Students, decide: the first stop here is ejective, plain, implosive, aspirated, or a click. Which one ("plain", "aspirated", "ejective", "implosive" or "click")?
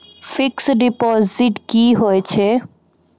plain